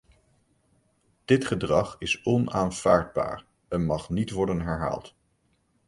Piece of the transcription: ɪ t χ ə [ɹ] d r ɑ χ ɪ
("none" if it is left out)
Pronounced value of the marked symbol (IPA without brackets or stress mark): none